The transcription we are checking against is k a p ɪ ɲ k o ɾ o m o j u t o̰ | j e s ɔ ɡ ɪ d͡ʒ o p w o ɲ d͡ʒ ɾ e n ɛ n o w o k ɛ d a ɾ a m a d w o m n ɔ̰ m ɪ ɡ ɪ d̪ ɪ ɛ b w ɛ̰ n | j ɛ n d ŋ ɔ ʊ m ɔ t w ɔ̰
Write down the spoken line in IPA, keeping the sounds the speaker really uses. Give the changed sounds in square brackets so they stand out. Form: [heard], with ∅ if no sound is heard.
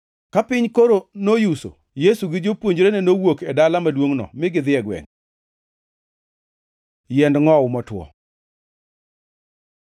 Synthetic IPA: k a p ɪ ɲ k o ɾ o [n] o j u [s] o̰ | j e s [u] ɡ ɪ d͡ʒ o p w o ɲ d͡ʒ ɾ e n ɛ n o w o k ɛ d a [l] a m a d w o [ŋ] n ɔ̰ m ɪ ɡ ɪ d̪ ɪ ɛ [ɡ] w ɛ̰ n | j ɛ n d ŋ ɔ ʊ m ɔ t w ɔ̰

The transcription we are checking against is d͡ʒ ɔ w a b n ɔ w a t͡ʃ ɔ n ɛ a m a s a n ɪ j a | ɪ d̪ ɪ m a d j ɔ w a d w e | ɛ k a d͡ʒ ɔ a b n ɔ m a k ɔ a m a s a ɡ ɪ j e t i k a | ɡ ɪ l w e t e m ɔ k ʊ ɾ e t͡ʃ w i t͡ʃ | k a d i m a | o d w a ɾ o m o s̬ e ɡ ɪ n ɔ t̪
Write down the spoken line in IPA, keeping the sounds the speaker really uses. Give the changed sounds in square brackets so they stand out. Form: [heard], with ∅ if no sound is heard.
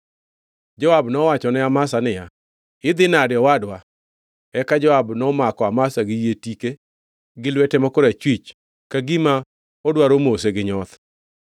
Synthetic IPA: d͡ʒ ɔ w a b n ɔ w a t͡ʃ ɔ n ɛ a m a s a n ɪ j a | ɪ d̪ ɪ [n] a d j ɔ w a d w [a] | ɛ k a d͡ʒ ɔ a b n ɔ m a k ɔ a m a s a ɡ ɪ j e t i k [e] | ɡ ɪ l w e t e m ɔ k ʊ ɾ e t͡ʃ w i t͡ʃ | k a [ɡ] i m a | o d w a ɾ o m o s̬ e ɡ ɪ [ɲ] ɔ t̪

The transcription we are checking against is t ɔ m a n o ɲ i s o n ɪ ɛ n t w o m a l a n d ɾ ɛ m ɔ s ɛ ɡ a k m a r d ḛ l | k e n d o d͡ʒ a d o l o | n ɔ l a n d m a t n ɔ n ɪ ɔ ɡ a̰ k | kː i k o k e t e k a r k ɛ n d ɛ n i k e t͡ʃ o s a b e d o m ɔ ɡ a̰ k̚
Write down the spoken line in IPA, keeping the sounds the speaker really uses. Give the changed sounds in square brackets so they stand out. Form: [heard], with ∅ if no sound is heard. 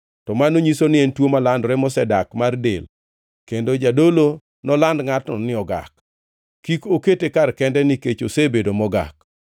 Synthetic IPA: t ɔ m a n o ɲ i s o n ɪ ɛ n t w o m a l a n d ɾ ɛ m ɔ s ɛ [d] a k m a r d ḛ l | k e n d o d͡ʒ a d o l o | n ɔ l a n d [ŋ] a t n ɔ n ɪ ɔ ɡ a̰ k | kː i k o k e t e k a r k ɛ n d ɛ n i k e t͡ʃ o s [e] b e d o m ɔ ɡ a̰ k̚

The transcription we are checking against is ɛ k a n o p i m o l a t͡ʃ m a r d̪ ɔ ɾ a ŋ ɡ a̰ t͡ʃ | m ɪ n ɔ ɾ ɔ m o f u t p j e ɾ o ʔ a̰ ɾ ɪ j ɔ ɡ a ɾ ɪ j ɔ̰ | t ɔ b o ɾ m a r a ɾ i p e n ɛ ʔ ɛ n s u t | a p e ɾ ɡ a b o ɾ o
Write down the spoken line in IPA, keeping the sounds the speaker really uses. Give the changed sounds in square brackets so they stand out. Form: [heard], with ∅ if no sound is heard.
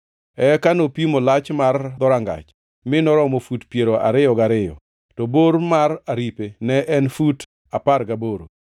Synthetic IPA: ɛ k a n o p i m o l a t͡ʃ m a r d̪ ɔ ɾ a ŋ ɡ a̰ t͡ʃ | m ɪ n ɔ ɾ ɔ m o f u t p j e ɾ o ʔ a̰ ɾ ɪ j ɔ ɡ a ɾ ɪ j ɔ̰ | t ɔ b o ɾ m a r a ɾ i p e n ɛ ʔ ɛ n [f] u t | a p [a] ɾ ɡ a b o ɾ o

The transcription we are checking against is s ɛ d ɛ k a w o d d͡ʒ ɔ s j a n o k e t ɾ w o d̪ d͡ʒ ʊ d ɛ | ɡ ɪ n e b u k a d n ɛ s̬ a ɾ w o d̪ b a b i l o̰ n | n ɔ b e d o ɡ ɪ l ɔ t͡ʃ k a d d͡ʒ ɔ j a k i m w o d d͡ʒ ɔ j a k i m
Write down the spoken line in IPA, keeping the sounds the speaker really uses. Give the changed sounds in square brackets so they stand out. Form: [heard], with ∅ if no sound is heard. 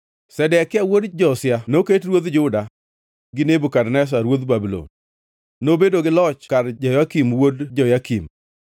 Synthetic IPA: s ɛ d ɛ k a w o d d͡ʒ ɔ s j a n o k e t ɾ w o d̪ d͡ʒ ʊ d [a] | ɡ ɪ n e b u k a d n ɛ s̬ a ɾ w o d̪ b a b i l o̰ n | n [o] b e d o ɡ ɪ l ɔ t͡ʃ k a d d͡ʒ ɔ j a k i m w o d d͡ʒ ɔ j a k i m

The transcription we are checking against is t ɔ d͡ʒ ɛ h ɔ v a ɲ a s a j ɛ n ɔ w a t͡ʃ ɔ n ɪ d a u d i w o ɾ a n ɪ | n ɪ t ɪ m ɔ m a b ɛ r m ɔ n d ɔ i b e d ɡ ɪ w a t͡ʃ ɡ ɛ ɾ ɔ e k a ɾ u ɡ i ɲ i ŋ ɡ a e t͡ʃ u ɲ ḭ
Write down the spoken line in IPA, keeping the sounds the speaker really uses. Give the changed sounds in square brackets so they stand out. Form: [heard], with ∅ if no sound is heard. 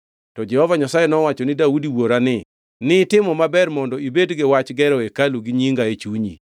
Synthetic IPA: t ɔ d͡ʒ ɛ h ɔ v a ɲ a s a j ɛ n ɔ w a t͡ʃ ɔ n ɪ d a u d i w o ɾ a n ɪ | n ɪ t ɪ m ɔ m a b ɛ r m ɔ n d ɔ i b e d ɡ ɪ w a t͡ʃ ɡ ɛ ɾ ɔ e k a [l] u ɡ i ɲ i ŋ ɡ a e t͡ʃ u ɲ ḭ

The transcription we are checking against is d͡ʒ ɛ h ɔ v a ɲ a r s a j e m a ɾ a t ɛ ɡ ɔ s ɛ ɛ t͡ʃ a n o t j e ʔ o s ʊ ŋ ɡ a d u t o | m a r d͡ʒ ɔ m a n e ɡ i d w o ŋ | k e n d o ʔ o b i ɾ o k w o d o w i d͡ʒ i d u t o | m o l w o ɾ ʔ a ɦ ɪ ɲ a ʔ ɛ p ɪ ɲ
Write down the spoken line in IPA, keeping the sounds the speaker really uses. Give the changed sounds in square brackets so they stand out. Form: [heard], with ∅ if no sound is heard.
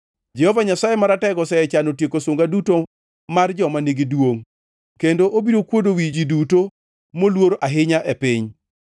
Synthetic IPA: d͡ʒ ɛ h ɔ v a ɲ a [∅] s a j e m a ɾ a t ɛ ɡ ɔ s ɛ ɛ t͡ʃ a n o t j e [k] o s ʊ ŋ ɡ a d u t o | m a r d͡ʒ ɔ m a n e ɡ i d w o ŋ | k e n d o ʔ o b i ɾ o k w o d o w i d͡ʒ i d u t o | m o l w o ɾ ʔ a ɦ ɪ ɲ a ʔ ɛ p ɪ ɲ

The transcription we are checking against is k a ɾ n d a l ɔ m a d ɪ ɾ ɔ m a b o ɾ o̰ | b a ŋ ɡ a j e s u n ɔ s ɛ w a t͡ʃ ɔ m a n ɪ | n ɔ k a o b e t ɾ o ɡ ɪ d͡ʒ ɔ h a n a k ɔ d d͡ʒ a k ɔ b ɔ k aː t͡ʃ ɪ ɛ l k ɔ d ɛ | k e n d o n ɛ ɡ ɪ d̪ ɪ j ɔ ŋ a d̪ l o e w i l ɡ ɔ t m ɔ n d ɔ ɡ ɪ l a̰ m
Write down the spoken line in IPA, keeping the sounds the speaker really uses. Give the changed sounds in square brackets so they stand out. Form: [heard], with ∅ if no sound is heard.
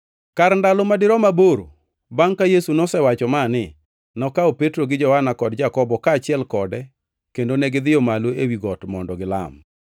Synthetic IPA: k a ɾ n d a l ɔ m a d ɪ ɾ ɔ m a b o ɾ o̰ | b a ŋ [k] a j e s u n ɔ s ɛ w a t͡ʃ ɔ m a n ɪ | n ɔ k a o [p] e t ɾ o ɡ ɪ d͡ʒ ɔ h a n a k ɔ d d͡ʒ a k ɔ b ɔ k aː t͡ʃ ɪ ɛ l k ɔ d ɛ | k e n d o n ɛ ɡ ɪ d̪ ɪ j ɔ [m] a [∅] l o e w i [∅] ɡ ɔ t m ɔ n d ɔ ɡ ɪ l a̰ m

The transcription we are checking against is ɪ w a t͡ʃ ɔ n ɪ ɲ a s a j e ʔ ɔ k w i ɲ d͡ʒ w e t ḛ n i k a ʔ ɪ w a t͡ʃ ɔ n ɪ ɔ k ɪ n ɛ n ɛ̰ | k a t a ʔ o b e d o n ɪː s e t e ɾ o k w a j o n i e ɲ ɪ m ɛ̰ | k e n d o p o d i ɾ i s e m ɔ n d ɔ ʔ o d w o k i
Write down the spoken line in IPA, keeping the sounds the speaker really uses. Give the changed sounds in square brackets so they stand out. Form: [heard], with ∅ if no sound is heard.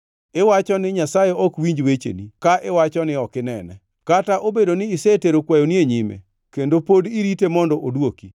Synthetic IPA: ɪ w a t͡ʃ ɔ n ɪ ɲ a s a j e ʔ ɔ k w i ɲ d͡ʒ w e [t͡ʃ] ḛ n i k a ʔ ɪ w a t͡ʃ ɔ n ɪ ɔ k ɪ n ɛ n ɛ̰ | k a t a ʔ o b e d o n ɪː s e t e ɾ o k w a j o n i e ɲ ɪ m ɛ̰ | k e n d o p o d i ɾ i [t] e m ɔ n d ɔ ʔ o d w o k i

